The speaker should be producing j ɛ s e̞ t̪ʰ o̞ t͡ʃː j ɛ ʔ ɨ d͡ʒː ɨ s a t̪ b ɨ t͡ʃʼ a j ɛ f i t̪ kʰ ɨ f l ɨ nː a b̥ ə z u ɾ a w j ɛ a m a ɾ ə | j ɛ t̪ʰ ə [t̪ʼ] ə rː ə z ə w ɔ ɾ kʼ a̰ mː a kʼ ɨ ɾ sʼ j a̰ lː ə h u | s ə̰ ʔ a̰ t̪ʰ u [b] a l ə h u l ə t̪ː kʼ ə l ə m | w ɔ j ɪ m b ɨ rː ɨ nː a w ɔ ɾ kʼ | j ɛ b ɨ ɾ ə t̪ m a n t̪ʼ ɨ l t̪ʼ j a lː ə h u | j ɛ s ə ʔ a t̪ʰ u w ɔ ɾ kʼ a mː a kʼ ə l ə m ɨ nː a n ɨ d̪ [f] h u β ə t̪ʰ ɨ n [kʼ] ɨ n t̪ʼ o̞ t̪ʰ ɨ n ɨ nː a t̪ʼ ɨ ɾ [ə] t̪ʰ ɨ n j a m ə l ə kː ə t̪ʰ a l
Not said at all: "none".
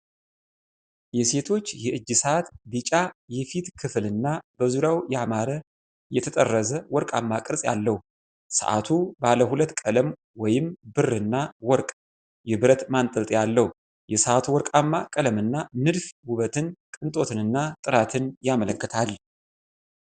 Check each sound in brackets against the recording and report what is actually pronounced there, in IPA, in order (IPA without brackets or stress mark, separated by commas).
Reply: t̪ʼ, b, f, kʼ, a